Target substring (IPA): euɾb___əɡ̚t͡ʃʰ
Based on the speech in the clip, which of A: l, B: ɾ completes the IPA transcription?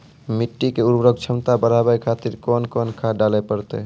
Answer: B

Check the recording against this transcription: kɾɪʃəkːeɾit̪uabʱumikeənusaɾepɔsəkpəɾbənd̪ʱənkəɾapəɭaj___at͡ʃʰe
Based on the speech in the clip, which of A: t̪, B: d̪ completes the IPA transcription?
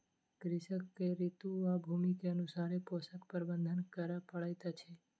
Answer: A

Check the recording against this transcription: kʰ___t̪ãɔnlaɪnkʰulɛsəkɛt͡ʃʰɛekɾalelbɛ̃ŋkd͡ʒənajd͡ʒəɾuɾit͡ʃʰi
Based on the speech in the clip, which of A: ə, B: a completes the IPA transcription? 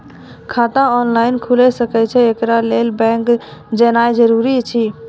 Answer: B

